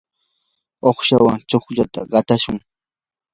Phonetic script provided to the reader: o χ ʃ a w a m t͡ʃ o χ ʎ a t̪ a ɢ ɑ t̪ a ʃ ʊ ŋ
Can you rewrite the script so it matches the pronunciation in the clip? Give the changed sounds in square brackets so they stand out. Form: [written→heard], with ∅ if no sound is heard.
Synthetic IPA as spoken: o χ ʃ a w a [m→ŋ] t͡ʃ o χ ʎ a t̪ a ɢ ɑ t̪ a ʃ ʊ ŋ